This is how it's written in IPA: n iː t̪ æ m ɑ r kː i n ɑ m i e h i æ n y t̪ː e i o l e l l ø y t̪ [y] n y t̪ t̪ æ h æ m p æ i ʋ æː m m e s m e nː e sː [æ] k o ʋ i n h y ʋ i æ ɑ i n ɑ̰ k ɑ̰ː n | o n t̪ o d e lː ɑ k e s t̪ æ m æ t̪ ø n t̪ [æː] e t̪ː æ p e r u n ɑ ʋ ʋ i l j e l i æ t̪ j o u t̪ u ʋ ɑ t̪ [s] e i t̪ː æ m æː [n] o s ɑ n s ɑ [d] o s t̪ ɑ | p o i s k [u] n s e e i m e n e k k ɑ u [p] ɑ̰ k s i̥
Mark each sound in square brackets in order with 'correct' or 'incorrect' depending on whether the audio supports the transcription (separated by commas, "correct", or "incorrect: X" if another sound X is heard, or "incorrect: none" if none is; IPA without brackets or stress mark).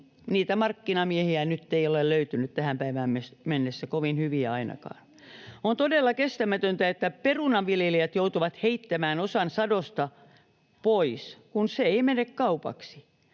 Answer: correct, correct, incorrect: æ, incorrect: h, correct, correct, correct, correct